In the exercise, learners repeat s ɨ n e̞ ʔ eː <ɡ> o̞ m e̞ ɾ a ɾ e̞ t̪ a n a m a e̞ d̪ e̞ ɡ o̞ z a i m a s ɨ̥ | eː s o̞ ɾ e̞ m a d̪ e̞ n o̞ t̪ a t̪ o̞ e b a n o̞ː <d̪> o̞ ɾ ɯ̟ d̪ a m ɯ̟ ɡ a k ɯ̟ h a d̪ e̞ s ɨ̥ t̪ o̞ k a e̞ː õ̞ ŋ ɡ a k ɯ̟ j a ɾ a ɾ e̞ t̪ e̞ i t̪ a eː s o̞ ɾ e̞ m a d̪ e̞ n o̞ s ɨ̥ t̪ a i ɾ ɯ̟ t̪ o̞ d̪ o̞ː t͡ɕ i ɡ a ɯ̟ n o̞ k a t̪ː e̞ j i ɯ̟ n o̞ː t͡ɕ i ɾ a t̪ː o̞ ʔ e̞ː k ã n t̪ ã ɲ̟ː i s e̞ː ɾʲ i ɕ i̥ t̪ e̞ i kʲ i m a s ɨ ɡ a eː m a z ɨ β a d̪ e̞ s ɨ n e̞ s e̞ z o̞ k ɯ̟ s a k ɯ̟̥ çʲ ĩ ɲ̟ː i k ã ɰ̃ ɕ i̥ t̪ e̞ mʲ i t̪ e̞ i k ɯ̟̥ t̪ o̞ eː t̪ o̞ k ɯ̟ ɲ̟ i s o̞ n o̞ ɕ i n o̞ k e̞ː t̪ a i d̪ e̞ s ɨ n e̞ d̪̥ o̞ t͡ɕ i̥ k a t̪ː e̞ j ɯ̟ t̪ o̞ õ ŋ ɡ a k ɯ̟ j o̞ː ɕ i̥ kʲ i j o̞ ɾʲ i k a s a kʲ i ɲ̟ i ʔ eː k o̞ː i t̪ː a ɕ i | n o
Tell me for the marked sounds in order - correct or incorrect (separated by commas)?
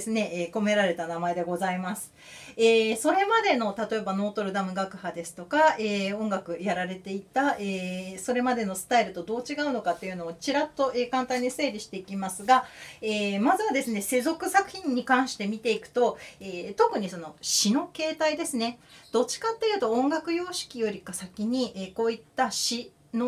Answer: incorrect, incorrect